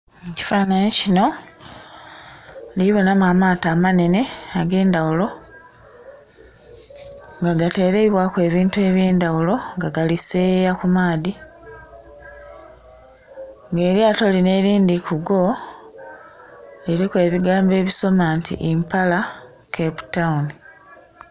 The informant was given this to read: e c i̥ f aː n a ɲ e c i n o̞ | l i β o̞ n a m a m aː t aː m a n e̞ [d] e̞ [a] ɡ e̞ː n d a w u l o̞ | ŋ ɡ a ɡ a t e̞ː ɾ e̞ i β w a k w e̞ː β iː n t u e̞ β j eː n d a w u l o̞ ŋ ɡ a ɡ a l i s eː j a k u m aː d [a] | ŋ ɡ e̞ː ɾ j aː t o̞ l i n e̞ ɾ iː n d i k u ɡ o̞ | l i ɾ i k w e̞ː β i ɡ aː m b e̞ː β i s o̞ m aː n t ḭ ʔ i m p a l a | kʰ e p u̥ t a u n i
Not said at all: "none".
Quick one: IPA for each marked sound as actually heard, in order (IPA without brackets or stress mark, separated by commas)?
n, a, i